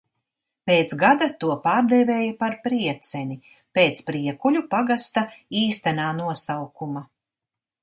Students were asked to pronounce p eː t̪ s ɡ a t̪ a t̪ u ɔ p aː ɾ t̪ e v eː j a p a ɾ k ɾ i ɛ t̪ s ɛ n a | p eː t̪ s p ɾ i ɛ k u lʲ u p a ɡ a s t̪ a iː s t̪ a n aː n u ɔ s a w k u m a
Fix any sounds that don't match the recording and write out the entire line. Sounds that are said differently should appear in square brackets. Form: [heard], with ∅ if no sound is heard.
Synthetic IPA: p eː t̪ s ɡ a [d̪] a t̪ u ɔ p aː ɾ [d̪] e v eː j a p a ɾ [p] ɾ i ɛ t̪ s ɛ n [i] | p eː t̪ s p ɾ i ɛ k u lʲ u p a ɡ a s t̪ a iː s t̪ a n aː n u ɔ s a w k u m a